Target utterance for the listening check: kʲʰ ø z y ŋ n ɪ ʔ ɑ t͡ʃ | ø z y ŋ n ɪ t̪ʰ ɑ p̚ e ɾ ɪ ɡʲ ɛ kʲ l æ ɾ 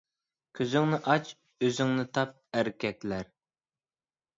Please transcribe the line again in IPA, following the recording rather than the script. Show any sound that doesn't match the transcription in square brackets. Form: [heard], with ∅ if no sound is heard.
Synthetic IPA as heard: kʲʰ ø z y ŋ n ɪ ʔ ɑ t͡ʃ | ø z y ŋ n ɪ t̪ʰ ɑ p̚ [æ] ɾ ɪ [kʲ] ɛ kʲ l æ ɾ